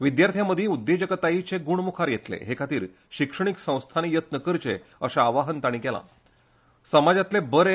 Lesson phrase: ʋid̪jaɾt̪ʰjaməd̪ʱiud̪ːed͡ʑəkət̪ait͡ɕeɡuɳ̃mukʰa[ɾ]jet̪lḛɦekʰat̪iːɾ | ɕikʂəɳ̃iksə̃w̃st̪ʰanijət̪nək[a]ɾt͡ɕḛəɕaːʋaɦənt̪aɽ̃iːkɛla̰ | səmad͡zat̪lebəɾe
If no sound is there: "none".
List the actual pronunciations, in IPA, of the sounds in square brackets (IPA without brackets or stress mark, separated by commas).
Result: ɾ, ə